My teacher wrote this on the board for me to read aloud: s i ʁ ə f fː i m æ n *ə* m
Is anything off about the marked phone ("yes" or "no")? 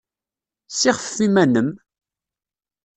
no